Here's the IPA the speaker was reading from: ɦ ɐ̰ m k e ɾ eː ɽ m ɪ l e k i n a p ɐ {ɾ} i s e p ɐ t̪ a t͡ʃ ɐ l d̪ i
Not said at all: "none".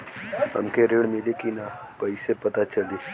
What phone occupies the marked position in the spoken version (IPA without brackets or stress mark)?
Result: none